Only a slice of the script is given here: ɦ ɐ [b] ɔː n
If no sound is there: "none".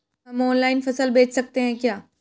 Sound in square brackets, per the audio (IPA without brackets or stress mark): m